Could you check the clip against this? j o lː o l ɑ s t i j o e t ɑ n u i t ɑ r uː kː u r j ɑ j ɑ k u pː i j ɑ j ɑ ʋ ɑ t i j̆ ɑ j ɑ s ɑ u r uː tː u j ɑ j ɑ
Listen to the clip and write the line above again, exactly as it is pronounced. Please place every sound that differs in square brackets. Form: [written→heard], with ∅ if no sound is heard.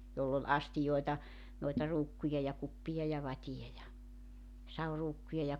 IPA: j o lː o l ɑ s t i j o e t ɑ n [u→o] i t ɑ r uː kː u [r→∅] j ɑ j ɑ k u pː i j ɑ j ɑ ʋ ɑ t i j̆ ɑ j ɑ s ɑ u r uː [tː→kː] u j ɑ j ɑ